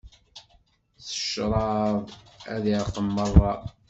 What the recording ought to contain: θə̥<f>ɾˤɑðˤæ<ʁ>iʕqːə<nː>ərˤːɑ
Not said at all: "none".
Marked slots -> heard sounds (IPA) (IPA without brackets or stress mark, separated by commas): ʃ, ð, mː